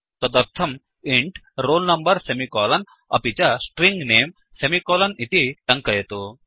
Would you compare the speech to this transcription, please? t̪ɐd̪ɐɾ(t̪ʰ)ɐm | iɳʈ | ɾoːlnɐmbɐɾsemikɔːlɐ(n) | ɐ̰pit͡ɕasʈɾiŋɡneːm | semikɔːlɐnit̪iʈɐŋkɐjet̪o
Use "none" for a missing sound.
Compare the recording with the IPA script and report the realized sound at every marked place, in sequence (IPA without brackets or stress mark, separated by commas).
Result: t̪ʰ, n